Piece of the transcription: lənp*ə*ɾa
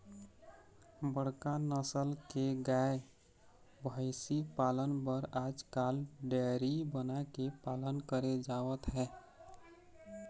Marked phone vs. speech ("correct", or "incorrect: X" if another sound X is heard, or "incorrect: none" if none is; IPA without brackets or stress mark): correct